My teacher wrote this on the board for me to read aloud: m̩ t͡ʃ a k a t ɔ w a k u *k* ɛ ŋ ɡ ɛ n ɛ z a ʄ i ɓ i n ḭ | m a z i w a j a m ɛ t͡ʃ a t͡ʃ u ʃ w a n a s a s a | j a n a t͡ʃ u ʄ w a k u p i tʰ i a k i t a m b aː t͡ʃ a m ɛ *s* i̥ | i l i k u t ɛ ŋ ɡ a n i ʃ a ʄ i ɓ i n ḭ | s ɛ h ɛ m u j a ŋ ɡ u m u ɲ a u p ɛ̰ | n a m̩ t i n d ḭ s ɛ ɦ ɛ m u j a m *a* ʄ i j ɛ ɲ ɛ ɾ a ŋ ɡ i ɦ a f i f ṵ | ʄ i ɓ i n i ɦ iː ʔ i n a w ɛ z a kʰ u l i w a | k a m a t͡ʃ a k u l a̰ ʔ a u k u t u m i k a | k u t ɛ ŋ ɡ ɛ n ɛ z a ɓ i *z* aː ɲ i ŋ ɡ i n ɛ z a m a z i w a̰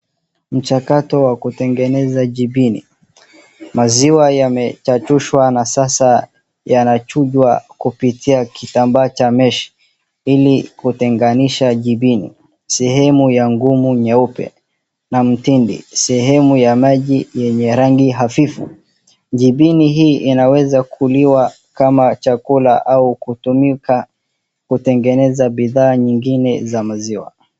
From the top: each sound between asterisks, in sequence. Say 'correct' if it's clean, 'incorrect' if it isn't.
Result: incorrect, incorrect, correct, incorrect

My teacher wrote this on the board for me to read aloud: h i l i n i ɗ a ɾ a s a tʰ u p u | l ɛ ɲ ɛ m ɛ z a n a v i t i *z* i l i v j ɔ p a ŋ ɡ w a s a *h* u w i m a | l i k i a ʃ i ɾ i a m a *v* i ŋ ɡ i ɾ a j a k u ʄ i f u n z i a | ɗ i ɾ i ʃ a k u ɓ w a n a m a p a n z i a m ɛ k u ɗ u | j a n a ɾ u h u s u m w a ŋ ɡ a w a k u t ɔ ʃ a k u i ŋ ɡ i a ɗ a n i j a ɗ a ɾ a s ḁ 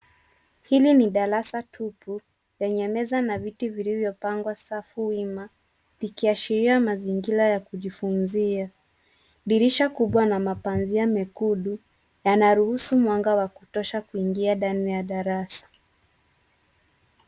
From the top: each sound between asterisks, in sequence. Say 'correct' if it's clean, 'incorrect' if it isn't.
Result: incorrect, incorrect, incorrect

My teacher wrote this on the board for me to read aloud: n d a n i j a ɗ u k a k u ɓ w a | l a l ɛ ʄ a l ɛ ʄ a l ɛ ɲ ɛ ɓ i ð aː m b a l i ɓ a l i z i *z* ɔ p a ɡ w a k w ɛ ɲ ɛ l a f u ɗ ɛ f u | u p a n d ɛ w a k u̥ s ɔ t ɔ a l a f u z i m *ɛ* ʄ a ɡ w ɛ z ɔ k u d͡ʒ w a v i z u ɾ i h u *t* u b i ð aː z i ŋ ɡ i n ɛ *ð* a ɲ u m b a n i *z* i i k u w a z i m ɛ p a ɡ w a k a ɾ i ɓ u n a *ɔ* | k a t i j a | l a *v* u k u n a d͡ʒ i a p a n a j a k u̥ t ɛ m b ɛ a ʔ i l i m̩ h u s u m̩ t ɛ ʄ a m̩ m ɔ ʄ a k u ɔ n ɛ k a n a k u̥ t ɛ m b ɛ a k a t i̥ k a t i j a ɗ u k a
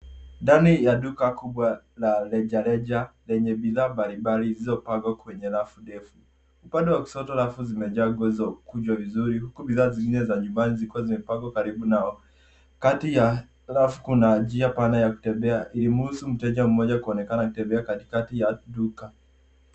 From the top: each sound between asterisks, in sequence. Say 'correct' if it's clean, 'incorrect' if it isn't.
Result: correct, correct, incorrect, incorrect, correct, correct, incorrect

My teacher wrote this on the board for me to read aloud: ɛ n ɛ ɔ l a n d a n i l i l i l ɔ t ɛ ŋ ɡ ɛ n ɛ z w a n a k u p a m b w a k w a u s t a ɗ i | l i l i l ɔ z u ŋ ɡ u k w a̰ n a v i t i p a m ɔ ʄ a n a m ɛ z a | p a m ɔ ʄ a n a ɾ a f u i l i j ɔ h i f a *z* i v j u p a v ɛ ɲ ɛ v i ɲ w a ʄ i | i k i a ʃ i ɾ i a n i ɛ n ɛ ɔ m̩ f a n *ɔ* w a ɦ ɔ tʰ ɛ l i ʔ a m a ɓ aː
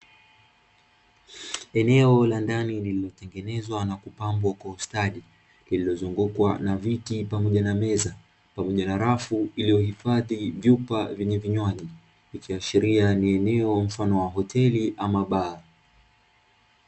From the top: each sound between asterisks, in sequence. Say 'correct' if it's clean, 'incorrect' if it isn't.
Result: incorrect, correct

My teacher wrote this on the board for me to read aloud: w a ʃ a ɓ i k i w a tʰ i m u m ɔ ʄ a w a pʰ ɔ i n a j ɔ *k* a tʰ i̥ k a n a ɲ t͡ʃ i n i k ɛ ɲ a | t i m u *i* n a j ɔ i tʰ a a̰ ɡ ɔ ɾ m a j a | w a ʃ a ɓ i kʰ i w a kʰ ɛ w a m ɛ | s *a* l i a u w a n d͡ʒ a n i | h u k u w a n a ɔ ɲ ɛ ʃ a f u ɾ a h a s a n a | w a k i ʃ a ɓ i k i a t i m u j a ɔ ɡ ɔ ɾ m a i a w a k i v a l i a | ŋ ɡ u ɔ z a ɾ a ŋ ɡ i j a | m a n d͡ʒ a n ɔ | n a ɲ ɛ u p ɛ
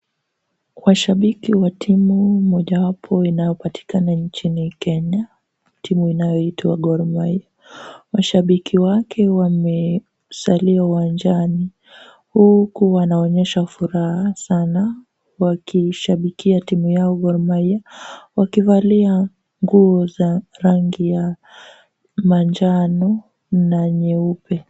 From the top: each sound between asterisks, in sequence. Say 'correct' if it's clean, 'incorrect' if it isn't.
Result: incorrect, correct, correct

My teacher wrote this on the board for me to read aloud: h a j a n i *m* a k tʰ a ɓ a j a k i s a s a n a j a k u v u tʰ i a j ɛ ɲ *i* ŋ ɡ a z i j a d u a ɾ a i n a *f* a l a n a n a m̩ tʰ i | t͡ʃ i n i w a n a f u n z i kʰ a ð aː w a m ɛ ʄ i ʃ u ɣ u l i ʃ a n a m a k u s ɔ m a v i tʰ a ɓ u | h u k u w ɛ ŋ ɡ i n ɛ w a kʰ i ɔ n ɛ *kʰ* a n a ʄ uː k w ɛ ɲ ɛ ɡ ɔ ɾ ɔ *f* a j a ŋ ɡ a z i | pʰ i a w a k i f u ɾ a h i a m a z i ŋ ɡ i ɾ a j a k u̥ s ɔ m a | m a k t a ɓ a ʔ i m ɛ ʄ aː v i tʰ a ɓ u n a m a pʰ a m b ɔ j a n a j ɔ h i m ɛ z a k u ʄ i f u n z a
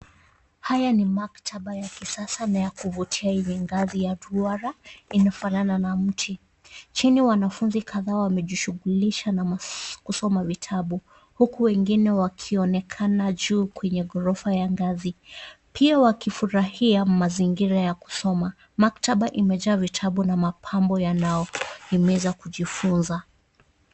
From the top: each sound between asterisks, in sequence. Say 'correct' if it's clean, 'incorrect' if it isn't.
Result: correct, incorrect, correct, correct, correct

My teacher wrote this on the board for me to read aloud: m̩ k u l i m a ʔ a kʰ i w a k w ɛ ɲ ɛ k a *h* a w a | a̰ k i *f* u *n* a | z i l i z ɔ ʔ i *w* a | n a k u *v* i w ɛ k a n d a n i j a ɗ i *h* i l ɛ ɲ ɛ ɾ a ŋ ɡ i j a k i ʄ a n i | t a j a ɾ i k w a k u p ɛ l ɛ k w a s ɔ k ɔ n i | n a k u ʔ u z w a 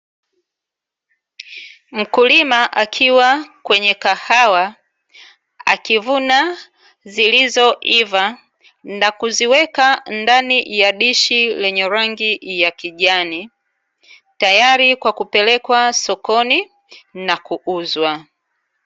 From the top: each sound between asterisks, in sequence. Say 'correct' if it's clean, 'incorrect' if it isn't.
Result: correct, incorrect, correct, incorrect, incorrect, incorrect

